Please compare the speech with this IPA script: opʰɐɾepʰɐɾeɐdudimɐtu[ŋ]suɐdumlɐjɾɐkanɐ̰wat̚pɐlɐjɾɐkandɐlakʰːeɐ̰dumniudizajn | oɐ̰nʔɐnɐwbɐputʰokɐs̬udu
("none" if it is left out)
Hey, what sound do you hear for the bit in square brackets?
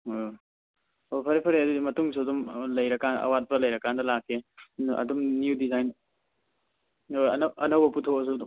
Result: ŋ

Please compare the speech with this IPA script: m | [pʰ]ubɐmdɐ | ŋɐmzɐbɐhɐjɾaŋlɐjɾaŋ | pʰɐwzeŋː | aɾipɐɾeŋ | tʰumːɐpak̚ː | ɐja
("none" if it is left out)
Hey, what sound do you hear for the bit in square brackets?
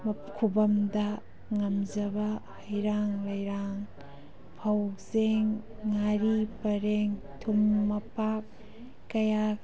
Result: kʰ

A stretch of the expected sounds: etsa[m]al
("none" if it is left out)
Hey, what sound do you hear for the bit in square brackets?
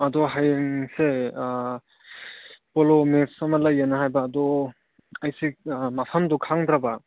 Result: m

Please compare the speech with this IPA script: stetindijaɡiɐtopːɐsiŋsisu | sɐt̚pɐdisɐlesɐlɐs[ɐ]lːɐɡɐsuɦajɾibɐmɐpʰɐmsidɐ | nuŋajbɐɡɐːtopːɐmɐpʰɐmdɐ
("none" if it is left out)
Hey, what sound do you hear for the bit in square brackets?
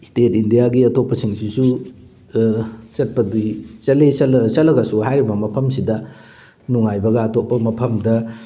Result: ɐ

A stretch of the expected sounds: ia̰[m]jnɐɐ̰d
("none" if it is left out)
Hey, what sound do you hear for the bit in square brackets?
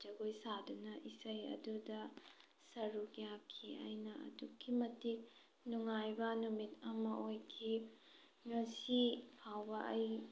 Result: none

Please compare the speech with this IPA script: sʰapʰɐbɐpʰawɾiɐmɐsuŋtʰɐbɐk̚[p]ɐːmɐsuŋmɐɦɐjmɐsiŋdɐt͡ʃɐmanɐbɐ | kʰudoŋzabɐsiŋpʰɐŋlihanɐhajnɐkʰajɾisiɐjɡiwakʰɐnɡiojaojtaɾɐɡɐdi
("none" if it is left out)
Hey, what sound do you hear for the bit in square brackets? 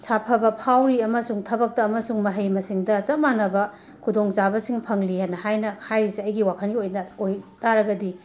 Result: t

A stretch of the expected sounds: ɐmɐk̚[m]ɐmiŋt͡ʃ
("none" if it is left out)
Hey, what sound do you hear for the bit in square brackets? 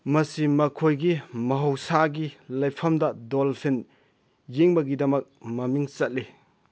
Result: m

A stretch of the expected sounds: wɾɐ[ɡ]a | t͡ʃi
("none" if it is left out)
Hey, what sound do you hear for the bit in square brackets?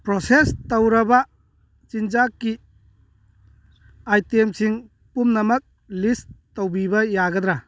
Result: b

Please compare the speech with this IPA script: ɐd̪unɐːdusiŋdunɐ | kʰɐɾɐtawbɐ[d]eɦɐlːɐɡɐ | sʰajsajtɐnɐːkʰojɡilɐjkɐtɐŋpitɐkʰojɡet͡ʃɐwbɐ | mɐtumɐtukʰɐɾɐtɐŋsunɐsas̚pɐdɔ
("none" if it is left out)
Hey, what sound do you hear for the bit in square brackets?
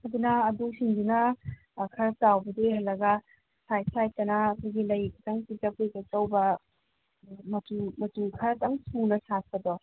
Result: d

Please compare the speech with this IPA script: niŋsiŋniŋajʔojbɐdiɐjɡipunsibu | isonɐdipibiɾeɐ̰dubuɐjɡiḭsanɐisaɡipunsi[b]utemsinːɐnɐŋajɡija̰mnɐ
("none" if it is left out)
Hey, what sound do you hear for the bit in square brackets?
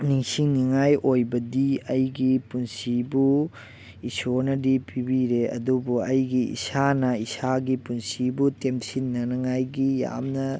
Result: b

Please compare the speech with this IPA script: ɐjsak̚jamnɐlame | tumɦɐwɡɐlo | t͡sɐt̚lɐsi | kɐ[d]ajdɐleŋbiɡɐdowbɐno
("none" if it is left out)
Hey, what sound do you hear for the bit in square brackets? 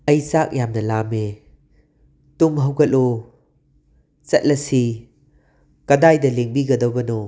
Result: d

